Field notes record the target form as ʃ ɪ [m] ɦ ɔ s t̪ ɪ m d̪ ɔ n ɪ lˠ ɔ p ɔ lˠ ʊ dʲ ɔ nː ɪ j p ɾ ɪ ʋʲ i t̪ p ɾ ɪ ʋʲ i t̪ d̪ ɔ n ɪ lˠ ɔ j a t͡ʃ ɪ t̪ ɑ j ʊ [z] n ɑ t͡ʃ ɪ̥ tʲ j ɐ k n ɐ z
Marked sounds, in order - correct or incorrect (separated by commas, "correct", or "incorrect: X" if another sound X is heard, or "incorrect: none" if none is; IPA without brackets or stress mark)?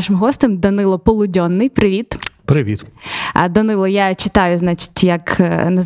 correct, correct